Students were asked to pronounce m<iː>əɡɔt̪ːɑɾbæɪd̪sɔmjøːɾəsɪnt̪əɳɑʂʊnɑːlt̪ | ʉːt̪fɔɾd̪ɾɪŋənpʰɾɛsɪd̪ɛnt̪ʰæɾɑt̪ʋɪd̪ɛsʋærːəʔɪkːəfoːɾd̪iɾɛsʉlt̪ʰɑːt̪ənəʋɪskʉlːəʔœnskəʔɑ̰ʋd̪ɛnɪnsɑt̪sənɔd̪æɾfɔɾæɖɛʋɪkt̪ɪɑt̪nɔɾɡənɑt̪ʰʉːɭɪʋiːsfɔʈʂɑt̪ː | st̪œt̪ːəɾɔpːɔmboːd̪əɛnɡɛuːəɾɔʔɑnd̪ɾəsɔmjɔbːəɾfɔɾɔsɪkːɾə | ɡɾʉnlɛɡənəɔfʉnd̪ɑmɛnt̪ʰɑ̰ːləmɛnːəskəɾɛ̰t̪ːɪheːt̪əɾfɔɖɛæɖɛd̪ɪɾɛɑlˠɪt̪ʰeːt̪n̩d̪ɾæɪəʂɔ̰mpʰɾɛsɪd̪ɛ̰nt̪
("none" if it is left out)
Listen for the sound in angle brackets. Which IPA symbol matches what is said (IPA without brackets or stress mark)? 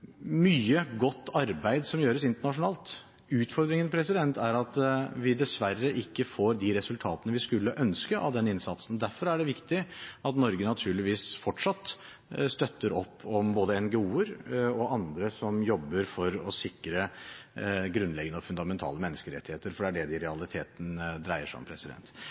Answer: yː